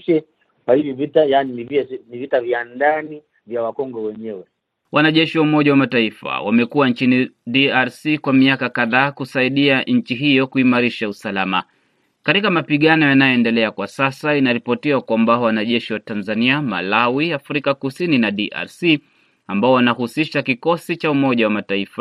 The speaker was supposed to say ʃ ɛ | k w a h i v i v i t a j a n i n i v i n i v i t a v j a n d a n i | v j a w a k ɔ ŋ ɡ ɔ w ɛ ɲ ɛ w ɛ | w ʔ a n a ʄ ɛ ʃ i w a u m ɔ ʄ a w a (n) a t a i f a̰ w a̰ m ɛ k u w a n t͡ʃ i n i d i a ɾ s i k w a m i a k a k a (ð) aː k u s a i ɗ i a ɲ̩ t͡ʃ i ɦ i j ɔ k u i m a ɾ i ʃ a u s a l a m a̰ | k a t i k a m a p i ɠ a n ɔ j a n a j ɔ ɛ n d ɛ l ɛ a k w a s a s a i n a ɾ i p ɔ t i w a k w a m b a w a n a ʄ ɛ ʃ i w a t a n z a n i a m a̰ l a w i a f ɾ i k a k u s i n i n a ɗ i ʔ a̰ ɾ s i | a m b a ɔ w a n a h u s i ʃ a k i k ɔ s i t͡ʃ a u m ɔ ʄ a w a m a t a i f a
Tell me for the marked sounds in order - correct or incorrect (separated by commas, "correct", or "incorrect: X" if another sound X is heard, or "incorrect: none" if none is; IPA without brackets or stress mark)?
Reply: incorrect: m, correct